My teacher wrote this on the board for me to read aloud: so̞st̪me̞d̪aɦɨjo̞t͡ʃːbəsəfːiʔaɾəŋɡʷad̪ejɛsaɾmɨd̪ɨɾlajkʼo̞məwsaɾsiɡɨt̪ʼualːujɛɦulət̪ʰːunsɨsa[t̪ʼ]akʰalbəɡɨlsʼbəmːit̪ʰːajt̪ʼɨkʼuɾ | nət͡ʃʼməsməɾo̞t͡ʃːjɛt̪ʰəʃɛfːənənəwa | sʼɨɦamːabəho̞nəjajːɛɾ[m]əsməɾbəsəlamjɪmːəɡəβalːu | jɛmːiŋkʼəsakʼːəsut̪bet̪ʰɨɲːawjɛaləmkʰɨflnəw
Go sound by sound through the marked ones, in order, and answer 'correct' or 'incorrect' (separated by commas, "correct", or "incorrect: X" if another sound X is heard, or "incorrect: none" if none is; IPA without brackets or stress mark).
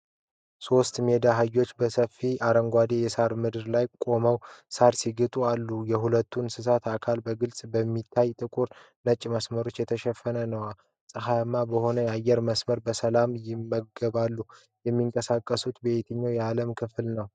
incorrect: t̪, correct